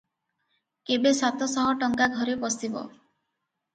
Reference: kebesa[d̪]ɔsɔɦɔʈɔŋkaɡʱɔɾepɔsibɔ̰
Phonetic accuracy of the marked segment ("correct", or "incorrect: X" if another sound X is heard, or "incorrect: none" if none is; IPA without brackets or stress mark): incorrect: t̪